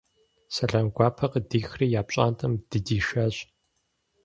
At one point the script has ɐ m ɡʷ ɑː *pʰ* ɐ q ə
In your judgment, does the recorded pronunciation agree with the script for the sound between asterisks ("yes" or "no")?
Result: yes